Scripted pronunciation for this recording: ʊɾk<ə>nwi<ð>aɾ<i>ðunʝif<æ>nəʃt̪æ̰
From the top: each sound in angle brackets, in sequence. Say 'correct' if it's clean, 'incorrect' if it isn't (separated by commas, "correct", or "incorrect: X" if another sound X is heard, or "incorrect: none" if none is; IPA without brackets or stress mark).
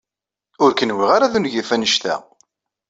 correct, incorrect: ʁ, incorrect: a, correct